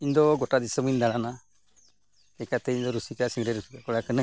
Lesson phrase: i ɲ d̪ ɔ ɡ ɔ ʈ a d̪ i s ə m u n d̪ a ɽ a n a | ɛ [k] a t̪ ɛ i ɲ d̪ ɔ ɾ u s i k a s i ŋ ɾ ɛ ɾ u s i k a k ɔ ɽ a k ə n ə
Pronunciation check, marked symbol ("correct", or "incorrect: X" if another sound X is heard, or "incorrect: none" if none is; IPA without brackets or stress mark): correct